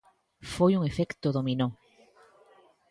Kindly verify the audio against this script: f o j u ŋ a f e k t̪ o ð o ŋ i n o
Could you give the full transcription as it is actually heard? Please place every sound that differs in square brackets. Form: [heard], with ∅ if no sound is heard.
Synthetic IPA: f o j u ŋ [e] f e k t̪ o ð o [m] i n o